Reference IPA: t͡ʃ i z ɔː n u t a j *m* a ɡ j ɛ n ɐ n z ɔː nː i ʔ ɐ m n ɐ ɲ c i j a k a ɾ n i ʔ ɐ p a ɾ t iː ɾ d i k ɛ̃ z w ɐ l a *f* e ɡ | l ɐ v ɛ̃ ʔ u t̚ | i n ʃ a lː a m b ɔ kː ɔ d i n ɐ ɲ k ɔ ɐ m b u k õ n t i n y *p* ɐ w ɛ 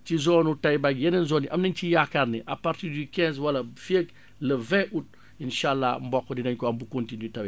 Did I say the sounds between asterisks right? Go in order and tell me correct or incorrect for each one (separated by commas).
incorrect, correct, incorrect